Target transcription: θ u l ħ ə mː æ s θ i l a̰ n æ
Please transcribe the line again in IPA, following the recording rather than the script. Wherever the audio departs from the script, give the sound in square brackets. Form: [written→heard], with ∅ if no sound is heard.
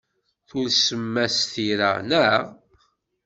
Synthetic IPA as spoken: θ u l [ħ→s] ə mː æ s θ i [l→ɾ] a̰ n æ